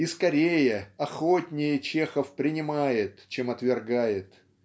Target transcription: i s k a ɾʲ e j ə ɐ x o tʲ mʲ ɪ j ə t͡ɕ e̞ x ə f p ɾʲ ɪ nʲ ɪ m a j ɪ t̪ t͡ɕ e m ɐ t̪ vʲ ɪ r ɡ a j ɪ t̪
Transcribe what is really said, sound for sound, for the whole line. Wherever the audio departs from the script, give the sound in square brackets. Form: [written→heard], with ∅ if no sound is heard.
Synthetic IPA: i s k [a→ɐ] ɾʲ e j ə ɐ x o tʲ [mʲ→nʲ] ɪ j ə t͡ɕ e̞ x ə f p ɾʲ ɪ nʲ ɪ m a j ɪ t̪ t͡ɕ e m ɐ t̪ vʲ ɪ r ɡ a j ɪ t̪